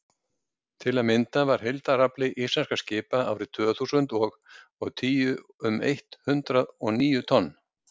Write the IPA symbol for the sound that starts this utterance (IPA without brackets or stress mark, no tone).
t̪ʰ